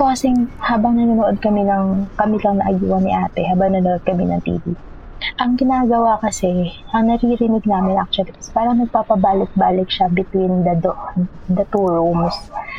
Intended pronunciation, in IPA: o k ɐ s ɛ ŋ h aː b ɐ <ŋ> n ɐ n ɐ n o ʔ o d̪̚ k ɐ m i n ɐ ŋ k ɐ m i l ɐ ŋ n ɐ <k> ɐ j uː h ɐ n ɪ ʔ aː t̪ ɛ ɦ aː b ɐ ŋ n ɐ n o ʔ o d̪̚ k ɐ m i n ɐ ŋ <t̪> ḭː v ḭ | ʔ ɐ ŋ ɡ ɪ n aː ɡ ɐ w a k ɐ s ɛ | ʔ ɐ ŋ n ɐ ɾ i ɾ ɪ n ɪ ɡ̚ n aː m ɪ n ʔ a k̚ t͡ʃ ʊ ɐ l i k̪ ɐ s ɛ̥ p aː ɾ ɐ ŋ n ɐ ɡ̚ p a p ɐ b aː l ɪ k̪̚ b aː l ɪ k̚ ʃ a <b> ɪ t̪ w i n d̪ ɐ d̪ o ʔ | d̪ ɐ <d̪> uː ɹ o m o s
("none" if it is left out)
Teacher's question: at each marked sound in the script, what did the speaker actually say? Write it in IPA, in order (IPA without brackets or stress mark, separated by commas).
ŋ, ʔ, t̪, b, t̪